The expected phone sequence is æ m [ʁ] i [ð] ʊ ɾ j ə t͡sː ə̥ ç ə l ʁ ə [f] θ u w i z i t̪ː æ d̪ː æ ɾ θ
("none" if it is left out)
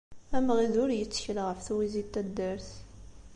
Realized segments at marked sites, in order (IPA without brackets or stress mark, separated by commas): ʁ, ð, f